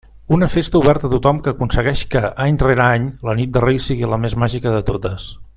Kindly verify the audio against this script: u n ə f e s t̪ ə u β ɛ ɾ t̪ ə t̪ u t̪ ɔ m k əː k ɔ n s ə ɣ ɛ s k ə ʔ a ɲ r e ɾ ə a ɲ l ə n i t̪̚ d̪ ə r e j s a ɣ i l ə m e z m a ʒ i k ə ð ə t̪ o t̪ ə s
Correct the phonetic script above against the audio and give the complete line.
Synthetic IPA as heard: u n ə f e s t̪ ə u β ɛ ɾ t̪ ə t̪ u t̪ ɔ m k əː k u n s ə ɣ ɛ ʃ k ə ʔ a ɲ r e ɾ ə a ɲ l ə n i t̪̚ d̪ ə r e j s i ɣ i l ə m e z m a ʒ i k ə ð ə t̪ o t̪ ə s